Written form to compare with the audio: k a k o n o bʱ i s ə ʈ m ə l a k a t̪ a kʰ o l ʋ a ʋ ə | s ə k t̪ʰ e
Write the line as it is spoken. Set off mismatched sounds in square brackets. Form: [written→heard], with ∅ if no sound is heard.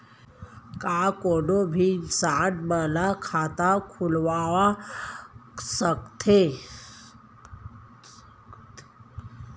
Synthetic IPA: k a k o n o bʱ i s [ə→a] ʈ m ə l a [k→kʰ] a t̪ a kʰ [o→u] l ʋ a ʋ [ə→a] | s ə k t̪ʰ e